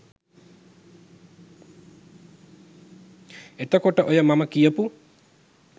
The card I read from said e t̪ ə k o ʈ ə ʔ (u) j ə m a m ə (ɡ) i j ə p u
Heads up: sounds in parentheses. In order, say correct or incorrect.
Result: incorrect: o, incorrect: k

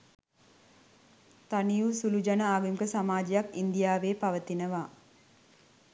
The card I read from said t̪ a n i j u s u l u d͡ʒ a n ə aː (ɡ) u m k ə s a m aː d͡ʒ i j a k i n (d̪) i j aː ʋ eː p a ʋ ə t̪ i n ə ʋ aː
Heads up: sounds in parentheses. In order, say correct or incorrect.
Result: correct, correct

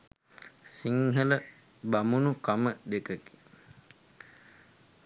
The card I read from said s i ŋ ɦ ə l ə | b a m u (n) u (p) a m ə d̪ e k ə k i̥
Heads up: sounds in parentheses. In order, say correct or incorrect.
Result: correct, incorrect: k

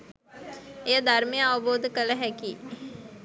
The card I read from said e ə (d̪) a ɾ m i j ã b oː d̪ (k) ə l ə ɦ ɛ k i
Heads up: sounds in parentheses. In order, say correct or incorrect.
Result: correct, correct

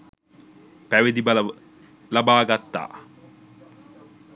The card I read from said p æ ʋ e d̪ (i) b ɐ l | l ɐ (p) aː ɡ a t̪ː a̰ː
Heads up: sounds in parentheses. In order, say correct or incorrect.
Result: correct, incorrect: b

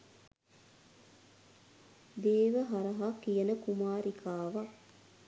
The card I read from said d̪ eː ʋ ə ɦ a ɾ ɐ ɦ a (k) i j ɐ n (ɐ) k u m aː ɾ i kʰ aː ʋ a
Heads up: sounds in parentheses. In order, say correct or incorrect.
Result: correct, incorrect: ə

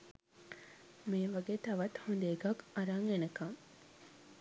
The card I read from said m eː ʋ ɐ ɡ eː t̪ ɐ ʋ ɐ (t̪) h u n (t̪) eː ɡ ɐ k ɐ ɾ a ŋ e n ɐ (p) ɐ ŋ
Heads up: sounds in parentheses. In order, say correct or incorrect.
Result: correct, incorrect: d̪, incorrect: k

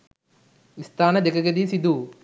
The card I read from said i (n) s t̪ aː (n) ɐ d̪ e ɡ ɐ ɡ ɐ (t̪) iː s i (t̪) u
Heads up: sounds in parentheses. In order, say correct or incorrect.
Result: incorrect: none, correct, incorrect: d̪, incorrect: d̪

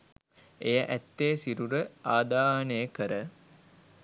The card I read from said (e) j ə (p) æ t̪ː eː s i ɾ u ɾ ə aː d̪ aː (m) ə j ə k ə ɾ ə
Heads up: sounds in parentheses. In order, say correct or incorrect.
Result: correct, incorrect: ʔ, incorrect: n

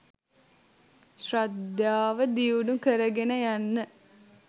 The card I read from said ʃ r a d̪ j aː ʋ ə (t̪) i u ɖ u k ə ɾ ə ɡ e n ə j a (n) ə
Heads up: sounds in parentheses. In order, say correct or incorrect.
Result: incorrect: d̪, incorrect: nː

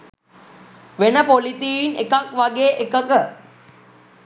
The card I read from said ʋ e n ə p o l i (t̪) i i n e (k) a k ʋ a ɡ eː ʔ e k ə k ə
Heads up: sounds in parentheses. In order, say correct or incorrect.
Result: correct, correct

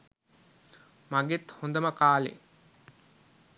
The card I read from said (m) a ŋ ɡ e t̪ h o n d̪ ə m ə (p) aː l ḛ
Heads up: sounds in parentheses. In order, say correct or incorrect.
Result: correct, incorrect: k

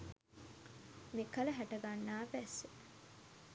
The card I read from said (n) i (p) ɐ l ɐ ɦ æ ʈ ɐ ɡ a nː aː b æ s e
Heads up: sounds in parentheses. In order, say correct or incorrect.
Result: incorrect: m, incorrect: k

